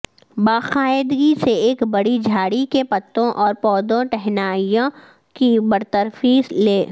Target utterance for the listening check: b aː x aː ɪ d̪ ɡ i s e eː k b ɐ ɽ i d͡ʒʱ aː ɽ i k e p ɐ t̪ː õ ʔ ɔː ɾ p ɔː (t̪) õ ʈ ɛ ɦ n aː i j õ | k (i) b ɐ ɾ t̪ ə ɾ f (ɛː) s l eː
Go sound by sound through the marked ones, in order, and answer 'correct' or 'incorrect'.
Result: incorrect: d̪, correct, incorrect: iː

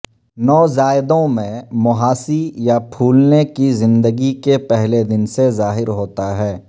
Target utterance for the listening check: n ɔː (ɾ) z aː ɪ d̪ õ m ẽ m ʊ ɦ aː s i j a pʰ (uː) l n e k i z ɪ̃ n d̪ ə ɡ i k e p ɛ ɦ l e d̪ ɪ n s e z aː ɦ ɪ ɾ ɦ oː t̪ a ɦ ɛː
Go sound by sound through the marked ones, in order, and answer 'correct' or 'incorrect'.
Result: incorrect: none, correct

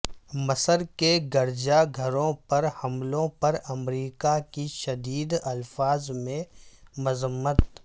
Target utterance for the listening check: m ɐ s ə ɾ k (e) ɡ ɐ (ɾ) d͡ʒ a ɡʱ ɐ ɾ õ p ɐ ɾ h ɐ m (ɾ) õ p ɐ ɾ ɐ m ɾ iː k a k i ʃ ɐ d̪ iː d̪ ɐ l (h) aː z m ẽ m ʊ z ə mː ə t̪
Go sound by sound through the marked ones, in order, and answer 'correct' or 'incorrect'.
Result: correct, correct, incorrect: l, incorrect: f

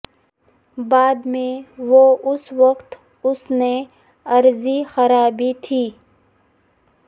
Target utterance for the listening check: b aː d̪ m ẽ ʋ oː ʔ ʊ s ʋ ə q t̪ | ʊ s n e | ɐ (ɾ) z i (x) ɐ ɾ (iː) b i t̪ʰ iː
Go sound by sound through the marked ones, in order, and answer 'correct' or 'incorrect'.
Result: correct, correct, incorrect: aː

